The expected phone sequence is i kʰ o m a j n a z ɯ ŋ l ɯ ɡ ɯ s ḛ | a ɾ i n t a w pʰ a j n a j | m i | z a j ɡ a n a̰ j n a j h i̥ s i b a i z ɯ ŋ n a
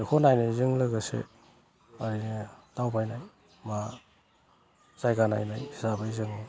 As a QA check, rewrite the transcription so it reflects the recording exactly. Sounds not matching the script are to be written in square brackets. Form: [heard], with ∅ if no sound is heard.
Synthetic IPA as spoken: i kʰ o [n] a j n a z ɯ ŋ l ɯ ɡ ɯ s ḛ | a ɾ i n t a w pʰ a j n a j | m [a] | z a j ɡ a n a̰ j n a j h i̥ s [a] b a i z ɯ ŋ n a